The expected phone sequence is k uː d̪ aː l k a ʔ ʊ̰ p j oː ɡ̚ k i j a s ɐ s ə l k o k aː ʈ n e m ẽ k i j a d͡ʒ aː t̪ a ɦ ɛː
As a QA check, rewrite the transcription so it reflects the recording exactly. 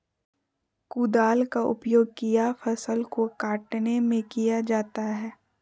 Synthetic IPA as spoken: k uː d̪ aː l k a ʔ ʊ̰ p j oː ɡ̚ k i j a f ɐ s ə l k o k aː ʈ n e m ẽ k i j a d͡ʒ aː t̪ a ɦ ɛː